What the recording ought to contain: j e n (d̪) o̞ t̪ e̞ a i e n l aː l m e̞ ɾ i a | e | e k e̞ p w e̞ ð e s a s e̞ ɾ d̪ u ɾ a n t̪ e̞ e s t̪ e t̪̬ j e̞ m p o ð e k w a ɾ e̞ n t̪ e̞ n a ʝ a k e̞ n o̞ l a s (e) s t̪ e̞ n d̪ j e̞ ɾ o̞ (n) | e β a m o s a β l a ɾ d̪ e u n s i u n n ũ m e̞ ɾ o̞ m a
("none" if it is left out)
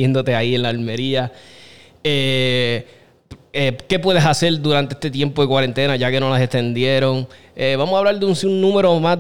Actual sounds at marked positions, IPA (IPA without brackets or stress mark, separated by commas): d̪, e, ŋ